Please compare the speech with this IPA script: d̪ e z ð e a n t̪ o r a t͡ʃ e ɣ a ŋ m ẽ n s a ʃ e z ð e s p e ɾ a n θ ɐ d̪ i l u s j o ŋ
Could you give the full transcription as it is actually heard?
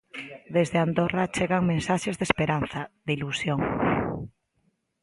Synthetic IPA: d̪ e z ð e a n d̪ o r a t͡ʃ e ɣ a ŋ m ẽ n s a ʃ e z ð e s p e ɾ a n θ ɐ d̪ i l u s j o ŋ